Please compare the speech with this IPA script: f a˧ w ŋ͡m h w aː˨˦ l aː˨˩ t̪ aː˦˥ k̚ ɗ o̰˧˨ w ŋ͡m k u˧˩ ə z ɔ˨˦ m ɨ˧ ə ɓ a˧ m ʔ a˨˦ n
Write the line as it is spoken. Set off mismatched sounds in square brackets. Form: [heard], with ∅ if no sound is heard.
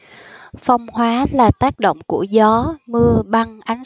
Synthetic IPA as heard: f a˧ w ŋ͡m h w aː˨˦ l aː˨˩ t̪ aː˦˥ k̚ ɗ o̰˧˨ w ŋ͡m k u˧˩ ə z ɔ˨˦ m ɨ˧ ə ɓ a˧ [ŋ] ʔ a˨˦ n